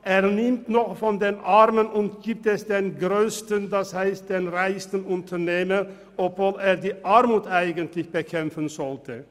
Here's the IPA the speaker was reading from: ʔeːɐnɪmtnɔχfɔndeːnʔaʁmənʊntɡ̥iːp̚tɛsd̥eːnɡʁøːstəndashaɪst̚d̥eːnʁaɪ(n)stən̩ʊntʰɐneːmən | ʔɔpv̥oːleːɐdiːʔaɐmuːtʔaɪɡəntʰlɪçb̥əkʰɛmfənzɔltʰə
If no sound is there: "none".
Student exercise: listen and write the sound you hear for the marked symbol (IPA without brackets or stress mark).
none